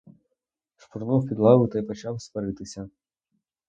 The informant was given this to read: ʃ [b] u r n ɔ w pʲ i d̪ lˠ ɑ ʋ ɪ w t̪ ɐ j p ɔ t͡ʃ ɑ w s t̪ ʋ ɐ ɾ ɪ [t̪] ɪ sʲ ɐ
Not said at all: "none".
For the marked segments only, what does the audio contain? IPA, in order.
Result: p, t̪

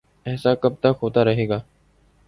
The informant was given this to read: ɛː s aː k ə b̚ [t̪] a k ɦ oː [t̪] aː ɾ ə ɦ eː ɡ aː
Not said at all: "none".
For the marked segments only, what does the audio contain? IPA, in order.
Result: t̪, t̪

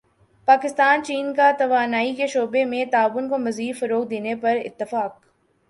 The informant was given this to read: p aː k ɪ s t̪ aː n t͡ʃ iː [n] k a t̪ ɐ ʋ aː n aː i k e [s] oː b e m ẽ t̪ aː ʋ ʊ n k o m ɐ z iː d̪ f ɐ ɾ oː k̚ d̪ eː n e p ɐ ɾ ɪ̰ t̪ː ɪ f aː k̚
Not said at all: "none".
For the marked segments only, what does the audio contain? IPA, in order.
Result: n, ʃ

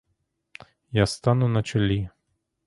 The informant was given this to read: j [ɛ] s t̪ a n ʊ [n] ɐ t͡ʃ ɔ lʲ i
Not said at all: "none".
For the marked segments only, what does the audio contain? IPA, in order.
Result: a, n

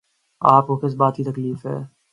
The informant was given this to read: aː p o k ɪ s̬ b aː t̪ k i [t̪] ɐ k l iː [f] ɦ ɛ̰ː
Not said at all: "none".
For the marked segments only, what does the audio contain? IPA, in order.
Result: t̪, f

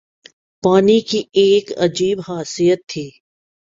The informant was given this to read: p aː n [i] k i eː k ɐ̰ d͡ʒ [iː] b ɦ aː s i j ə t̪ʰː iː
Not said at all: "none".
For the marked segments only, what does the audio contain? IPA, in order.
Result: i, iː

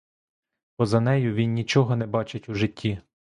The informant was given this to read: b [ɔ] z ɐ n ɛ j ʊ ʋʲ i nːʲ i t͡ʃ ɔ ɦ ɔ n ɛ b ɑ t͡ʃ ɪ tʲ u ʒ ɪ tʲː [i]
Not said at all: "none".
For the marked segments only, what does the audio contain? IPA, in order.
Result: ɔ, i

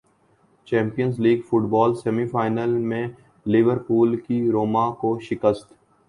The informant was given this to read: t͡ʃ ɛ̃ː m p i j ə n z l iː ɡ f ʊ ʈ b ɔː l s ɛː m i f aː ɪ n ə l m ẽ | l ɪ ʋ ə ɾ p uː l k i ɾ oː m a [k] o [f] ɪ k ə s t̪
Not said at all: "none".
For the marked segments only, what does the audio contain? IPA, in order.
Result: k, ʃ

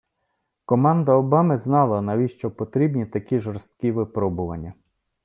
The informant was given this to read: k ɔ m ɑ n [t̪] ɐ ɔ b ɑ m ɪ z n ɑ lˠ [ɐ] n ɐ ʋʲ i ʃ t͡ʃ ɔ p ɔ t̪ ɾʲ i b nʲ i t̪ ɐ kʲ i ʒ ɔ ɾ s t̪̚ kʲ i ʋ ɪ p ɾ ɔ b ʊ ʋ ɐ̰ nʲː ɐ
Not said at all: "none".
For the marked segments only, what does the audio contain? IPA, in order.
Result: d̪, ɐ

